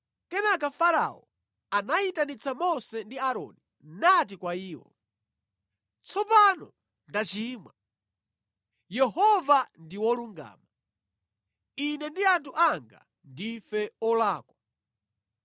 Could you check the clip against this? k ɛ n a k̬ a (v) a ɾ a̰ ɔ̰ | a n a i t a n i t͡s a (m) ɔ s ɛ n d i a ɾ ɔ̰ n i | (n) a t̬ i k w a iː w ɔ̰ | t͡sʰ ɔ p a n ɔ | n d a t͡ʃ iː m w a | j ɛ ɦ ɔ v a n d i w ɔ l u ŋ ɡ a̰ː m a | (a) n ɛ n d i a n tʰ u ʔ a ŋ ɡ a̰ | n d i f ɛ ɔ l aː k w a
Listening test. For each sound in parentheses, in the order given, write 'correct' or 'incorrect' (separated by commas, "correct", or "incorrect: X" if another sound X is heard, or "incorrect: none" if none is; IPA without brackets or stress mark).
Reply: incorrect: f, correct, correct, incorrect: i